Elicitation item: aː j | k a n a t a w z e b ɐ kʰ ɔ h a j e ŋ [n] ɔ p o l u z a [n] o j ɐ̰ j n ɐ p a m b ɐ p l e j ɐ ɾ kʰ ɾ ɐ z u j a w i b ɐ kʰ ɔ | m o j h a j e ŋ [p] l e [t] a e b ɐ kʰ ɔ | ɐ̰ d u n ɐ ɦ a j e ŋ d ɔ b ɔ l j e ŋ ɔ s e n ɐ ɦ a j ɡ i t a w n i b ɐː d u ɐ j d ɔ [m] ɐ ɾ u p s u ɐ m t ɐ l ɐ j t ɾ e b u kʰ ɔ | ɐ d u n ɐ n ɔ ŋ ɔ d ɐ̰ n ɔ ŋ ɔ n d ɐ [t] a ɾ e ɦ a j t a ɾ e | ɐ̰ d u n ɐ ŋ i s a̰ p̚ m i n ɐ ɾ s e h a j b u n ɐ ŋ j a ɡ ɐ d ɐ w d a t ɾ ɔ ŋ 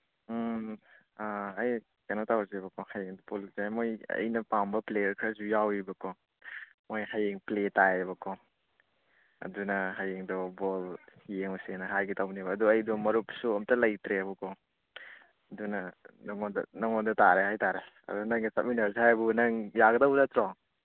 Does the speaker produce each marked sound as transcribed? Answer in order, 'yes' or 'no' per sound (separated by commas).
no, no, yes, yes, yes, yes